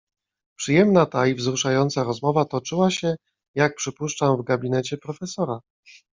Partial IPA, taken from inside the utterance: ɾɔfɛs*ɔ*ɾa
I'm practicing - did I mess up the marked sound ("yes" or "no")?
no